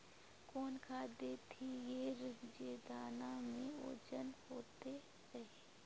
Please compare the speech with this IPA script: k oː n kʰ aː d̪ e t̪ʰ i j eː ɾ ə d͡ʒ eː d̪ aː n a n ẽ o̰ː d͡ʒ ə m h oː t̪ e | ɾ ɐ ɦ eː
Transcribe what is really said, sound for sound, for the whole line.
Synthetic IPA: k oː n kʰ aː d̪ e t̪ʰ i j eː ɾ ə d͡ʒ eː d̪ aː n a m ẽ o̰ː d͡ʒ ə n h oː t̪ e | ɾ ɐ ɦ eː